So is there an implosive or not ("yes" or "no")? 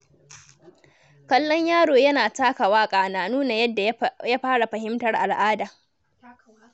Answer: no